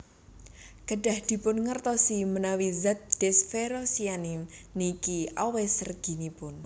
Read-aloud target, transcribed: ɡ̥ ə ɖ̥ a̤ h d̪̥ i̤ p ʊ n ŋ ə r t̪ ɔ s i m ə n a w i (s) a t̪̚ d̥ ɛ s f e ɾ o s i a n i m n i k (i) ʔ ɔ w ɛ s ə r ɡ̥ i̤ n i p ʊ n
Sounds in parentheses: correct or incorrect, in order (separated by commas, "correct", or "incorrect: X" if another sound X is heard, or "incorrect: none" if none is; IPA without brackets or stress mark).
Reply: incorrect: z, correct